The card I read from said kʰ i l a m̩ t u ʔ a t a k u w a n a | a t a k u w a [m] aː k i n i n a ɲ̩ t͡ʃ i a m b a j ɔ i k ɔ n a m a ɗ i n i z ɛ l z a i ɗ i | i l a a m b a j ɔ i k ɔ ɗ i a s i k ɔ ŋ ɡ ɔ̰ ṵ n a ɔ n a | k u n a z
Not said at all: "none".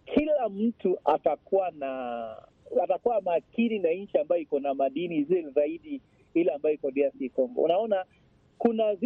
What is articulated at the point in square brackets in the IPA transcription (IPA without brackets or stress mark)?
m